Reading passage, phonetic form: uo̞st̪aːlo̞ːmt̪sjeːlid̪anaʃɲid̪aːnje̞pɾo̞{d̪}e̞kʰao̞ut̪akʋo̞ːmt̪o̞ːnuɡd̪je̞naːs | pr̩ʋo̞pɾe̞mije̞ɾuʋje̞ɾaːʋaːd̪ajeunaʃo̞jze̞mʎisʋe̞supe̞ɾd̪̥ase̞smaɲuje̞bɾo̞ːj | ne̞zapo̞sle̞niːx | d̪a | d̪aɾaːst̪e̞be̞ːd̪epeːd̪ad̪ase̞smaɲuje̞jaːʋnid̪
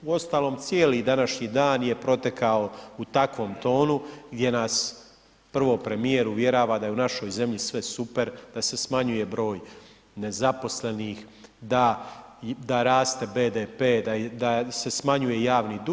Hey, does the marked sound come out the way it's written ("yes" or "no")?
no